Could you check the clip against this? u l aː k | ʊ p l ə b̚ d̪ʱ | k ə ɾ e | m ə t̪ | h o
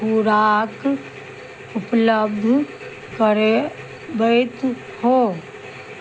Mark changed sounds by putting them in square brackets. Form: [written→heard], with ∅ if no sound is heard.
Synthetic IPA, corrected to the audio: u [l→ɾ] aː k | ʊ p l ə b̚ d̪ʱ | k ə ɾ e | [m→b] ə t̪ | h o